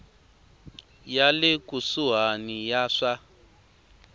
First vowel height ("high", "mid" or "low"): low